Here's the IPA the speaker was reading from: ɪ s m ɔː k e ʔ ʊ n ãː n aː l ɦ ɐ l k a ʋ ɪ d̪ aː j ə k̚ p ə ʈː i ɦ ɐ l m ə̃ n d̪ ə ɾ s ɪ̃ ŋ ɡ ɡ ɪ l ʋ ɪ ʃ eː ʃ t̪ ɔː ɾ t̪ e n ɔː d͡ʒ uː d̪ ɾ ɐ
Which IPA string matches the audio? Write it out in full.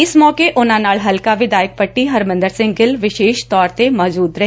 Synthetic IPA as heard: ɪ s m ɔː k e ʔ ʊ n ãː n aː l ɦ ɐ l k a ʋ ɪ d̪ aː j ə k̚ p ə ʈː i ɦ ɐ ɾ m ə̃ n d̪ ə ɾ s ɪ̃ ŋ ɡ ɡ ɪ l ʋ ɪ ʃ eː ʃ t̪ ɔː ɾ t̪ e m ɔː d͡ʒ uː d̪ ɾ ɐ